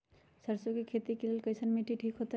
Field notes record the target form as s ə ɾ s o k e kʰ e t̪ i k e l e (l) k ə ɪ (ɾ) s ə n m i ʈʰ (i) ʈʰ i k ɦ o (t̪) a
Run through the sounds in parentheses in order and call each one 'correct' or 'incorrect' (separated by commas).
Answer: correct, incorrect, correct, correct